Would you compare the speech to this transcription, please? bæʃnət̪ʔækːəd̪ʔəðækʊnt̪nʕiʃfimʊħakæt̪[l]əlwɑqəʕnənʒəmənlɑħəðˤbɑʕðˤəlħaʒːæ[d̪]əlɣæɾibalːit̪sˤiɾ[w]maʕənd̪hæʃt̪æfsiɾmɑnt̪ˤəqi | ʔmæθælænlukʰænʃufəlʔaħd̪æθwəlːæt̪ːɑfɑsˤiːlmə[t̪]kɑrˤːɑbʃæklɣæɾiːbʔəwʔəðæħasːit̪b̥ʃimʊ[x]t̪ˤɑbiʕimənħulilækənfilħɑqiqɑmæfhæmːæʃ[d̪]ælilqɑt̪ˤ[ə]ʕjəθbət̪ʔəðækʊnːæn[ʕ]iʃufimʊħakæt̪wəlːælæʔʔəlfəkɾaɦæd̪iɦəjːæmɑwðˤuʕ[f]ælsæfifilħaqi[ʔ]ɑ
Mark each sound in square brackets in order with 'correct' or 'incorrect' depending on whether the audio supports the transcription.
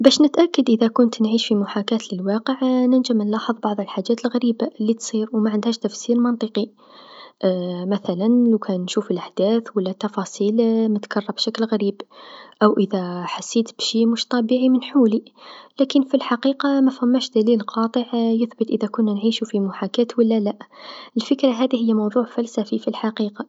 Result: correct, incorrect: t̪, correct, correct, incorrect: ʃ, correct, correct, correct, correct, incorrect: q

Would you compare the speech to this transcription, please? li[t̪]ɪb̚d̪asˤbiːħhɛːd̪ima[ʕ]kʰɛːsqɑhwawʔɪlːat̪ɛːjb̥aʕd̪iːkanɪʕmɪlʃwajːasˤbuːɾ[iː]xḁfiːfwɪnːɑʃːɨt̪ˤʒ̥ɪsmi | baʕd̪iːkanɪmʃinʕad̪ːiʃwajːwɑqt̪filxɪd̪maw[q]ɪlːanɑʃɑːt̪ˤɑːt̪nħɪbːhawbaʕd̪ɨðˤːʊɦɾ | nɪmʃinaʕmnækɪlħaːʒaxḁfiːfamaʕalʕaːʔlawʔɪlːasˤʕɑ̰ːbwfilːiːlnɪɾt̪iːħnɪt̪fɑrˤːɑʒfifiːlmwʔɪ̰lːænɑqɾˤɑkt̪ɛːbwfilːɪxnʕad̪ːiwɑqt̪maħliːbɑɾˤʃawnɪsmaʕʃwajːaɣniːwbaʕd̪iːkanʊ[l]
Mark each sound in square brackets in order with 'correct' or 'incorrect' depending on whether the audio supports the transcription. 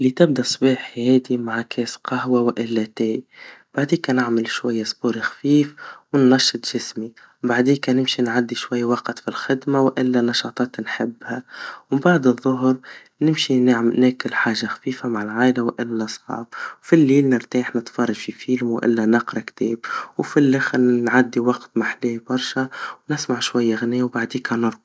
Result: correct, correct, incorrect: i, incorrect: ʔ, incorrect: ɾ

